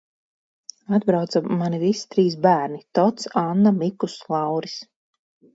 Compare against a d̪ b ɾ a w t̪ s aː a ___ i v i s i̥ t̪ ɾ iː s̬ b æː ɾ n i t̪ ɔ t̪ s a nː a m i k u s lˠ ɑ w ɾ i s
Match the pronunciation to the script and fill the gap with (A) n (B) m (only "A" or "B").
A